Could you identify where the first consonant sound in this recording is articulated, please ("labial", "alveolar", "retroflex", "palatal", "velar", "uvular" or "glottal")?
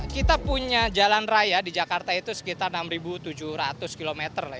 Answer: velar